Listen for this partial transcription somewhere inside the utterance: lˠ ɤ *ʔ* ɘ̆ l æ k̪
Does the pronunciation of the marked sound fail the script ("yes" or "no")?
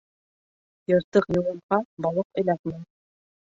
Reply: yes